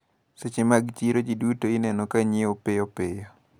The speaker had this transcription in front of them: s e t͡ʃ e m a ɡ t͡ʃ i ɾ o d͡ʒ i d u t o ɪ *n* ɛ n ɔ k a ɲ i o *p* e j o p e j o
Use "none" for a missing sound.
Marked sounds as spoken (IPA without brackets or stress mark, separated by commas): n, p